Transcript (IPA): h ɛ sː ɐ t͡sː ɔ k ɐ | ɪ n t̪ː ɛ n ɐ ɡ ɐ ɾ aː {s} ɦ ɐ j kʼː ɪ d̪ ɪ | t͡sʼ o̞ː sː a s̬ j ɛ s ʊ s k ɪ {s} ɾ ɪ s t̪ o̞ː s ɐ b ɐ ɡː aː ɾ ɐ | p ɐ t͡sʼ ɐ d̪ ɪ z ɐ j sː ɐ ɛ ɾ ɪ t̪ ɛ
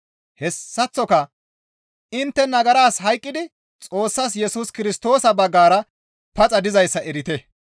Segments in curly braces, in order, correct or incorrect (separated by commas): correct, incorrect